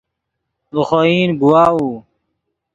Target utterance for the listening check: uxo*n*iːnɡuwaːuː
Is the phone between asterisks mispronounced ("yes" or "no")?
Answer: yes